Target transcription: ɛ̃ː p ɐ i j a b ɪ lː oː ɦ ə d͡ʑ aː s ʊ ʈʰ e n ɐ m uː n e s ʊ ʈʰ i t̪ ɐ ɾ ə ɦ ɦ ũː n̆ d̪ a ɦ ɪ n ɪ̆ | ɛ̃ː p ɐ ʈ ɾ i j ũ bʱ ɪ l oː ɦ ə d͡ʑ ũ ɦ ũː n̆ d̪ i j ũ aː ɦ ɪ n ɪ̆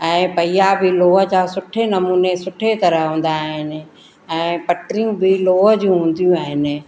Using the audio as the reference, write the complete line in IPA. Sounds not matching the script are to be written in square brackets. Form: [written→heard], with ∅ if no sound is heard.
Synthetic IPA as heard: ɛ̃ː p ɐ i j a b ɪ [lː→l] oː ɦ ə d͡ʑ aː s ʊ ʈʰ e n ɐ m uː n e s ʊ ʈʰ [i→e] t̪ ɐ ɾ ə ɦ ɦ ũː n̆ d̪ a ɦ ɪ n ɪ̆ | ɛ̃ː p ɐ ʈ ɾ i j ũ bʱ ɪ l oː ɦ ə d͡ʑ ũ ɦ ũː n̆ d̪ i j ũ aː ɦ ɪ n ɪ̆